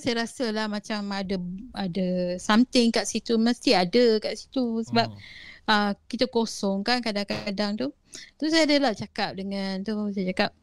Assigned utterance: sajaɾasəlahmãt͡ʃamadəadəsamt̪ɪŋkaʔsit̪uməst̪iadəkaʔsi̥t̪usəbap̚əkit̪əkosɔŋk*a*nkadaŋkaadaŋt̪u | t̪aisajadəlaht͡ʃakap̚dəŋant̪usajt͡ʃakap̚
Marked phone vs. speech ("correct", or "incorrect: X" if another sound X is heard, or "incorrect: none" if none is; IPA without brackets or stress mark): correct